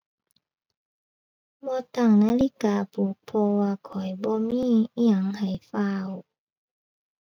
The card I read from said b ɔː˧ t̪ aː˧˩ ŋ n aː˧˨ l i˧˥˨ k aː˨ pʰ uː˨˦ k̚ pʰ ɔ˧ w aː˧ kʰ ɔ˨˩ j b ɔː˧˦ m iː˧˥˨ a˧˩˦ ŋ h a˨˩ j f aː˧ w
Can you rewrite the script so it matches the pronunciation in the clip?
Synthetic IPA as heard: b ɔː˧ t̪ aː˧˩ ŋ n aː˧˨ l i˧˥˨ k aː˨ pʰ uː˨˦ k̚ pʰ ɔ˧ w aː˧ kʰ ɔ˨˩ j b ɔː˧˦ m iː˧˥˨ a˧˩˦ ŋ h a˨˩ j f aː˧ w